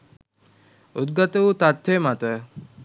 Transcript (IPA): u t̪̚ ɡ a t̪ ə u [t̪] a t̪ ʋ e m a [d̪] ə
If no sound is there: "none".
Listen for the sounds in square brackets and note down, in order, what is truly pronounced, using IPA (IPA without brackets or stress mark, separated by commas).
t̪, t̪